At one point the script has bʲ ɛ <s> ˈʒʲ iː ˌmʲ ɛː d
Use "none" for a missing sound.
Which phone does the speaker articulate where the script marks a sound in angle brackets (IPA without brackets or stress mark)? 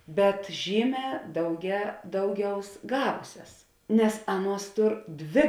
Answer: t